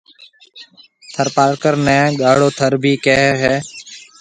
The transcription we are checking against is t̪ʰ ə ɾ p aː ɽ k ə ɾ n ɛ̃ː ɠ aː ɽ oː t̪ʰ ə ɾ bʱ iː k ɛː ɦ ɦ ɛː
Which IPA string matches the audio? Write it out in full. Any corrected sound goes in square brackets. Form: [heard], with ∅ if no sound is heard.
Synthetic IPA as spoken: t̪ʰ ə ɾ p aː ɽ k ə ɾ n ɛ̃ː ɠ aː ɽ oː t̪ʰ ə ɾ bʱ iː k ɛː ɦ ɦ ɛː